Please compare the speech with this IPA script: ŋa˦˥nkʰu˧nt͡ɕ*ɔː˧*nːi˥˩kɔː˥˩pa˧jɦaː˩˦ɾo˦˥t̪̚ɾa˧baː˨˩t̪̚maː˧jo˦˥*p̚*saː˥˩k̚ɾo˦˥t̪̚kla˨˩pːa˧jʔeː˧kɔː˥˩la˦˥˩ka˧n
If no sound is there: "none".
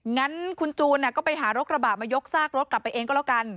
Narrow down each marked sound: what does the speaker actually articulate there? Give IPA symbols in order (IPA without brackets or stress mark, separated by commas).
uː˧, k̚